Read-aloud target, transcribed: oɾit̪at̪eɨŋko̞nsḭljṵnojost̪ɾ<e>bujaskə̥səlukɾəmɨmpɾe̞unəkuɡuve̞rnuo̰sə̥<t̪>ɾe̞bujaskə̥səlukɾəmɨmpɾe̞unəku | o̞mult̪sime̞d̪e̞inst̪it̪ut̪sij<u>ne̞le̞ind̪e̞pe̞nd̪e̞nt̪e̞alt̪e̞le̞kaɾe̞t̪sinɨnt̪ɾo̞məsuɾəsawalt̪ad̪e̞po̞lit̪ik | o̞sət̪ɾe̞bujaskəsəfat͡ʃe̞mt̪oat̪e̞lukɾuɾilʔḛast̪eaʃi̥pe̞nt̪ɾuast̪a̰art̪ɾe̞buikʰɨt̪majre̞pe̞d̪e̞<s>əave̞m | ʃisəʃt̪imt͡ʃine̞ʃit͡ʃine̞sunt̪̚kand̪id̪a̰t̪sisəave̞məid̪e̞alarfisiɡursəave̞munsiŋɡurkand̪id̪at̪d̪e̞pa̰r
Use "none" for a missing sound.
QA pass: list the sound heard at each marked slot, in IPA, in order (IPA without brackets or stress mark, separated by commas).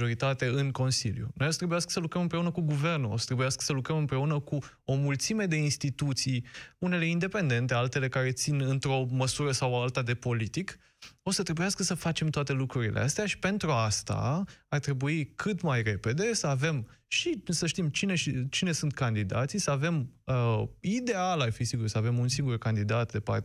e, t̪, u, s